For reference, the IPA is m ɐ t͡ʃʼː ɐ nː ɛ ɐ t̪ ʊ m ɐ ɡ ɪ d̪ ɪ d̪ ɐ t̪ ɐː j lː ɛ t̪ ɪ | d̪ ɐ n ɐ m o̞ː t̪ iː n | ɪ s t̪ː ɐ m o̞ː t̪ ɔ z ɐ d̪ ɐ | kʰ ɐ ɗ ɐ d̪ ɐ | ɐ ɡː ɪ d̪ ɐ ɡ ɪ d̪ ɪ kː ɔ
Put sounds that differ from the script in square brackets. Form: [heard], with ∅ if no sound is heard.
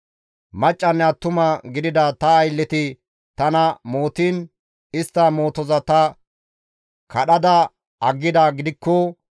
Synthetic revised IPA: m ɐ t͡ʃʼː ɐ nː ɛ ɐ t̪ ʊ m ɐ ɡ ɪ d̪ ɪ d̪ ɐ t̪ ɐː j lː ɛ t̪ ɪ | [t̪] ɐ n ɐ m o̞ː t̪ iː n | ɪ s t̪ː ɐ m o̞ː t̪ ɔ z ɐ [t̪] ɐ | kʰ ɐ ɗ ɐ d̪ ɐ | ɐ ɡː ɪ d̪ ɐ ɡ ɪ d̪ ɪ kː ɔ